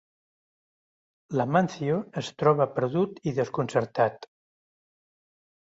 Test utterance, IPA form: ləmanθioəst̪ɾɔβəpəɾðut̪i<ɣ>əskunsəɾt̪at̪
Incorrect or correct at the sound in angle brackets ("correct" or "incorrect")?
incorrect